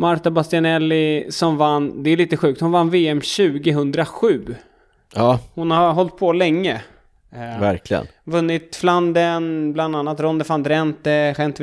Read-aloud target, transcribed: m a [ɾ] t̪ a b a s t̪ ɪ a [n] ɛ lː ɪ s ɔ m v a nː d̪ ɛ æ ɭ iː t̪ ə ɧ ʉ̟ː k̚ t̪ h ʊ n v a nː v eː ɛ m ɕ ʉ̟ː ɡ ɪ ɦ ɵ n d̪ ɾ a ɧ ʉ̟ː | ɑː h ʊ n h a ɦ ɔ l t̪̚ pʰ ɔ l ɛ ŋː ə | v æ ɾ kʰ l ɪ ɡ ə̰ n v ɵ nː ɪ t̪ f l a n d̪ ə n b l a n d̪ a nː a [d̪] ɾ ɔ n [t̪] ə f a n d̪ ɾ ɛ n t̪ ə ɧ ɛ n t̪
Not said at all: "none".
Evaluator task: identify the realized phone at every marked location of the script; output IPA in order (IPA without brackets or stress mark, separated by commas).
ɾ, n, t̪, d̪